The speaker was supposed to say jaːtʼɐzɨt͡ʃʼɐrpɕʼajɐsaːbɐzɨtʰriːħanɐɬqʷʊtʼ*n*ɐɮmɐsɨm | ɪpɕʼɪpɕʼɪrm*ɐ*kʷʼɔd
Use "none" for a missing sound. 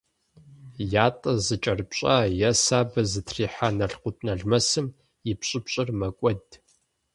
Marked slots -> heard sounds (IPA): n, ɐ

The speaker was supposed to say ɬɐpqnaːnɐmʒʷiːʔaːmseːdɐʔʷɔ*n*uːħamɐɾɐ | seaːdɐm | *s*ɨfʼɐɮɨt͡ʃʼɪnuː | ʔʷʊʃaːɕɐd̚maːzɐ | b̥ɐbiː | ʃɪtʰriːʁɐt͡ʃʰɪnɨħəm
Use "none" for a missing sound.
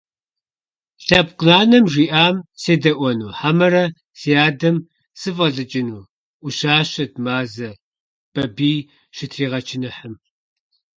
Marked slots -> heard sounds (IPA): n, s

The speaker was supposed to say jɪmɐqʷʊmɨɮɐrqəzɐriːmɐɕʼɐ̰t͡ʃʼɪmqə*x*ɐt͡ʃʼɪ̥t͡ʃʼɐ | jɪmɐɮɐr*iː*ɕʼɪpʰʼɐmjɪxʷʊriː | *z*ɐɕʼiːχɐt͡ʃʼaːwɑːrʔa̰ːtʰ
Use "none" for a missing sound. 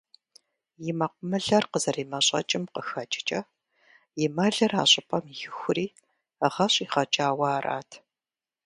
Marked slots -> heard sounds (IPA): x, aː, ʁ

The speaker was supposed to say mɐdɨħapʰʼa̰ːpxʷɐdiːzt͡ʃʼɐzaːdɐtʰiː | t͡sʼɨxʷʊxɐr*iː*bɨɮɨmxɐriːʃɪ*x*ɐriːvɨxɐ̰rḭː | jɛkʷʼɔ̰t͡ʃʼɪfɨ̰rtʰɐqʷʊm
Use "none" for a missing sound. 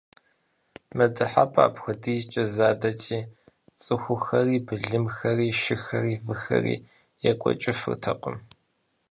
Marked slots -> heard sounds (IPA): iː, x

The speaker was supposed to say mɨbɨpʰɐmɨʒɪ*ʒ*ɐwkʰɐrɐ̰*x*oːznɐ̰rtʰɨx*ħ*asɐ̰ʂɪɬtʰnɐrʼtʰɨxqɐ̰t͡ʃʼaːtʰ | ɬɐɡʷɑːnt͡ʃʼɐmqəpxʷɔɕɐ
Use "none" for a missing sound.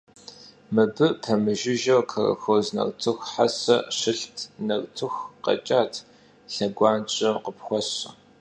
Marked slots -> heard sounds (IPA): ʒ, x, ħ

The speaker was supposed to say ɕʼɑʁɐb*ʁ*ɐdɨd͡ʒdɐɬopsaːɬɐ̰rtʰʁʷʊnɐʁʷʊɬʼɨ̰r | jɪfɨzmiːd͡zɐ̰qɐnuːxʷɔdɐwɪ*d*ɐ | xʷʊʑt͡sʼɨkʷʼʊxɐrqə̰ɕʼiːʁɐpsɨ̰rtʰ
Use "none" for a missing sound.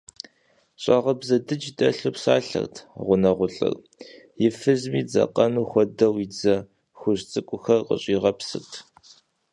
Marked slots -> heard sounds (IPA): z, d͡z

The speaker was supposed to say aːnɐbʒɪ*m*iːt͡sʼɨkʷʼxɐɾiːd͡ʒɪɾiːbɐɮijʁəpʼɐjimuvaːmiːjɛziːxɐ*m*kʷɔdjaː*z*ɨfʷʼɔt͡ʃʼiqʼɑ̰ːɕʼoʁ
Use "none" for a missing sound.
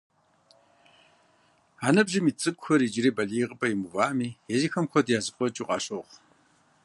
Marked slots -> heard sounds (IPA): m, m, z

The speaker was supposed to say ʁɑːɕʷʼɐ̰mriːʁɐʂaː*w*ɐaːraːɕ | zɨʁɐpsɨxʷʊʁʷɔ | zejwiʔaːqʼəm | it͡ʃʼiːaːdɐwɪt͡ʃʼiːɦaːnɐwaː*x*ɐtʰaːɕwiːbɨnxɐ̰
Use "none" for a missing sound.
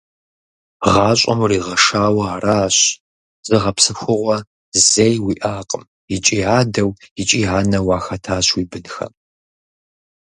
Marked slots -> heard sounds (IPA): w, x

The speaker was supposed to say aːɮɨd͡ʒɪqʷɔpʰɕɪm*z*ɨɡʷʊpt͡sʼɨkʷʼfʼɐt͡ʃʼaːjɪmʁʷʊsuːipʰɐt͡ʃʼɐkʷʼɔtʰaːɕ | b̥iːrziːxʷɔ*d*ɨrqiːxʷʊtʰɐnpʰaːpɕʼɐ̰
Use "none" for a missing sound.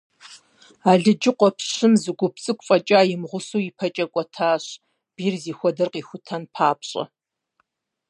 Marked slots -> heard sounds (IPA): z, d

